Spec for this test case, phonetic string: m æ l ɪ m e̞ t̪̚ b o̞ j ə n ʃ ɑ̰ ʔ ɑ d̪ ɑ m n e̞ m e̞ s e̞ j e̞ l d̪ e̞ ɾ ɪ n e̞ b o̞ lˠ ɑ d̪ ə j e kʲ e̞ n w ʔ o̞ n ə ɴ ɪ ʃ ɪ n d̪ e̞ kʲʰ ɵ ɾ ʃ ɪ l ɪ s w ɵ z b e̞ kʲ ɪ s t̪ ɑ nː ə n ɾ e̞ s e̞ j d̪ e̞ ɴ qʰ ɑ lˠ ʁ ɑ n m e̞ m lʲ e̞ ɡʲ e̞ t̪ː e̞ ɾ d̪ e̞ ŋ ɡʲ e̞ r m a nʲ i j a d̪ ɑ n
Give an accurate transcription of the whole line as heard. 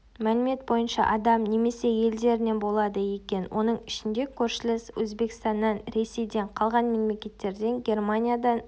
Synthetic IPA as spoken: m æ l ɪ m e̞ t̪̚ b o̞ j ə n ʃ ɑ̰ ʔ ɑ d̪ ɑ m n e̞ m e̞ s e̞ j e̞ l d̪ e̞ ɾ ɪ n e̞ b o̞ lˠ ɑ d̪ ə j e kʲ e̞ n w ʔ o̞ n ə ɴ ɪ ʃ ɪ n d̪ e̞ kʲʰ ɵ ɾ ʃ ɪ l ɪ s w ɵ z b e̞ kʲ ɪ s t̪ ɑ nː ɑ n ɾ e̞ s e̞ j d̪ e̞ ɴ qʰ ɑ lˠ ʁ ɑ n m e̞ m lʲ e̞ kʲ e̞ t̪ː e̞ ɾ d̪ e̞ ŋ ɡʲ e̞ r m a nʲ i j a d̪ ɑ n